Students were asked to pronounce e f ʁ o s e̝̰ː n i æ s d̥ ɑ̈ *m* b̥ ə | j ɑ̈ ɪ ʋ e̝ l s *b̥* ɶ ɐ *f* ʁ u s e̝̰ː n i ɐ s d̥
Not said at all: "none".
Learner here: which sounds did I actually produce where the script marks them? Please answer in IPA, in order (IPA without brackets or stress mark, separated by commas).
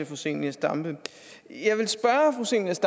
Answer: m, b̥, f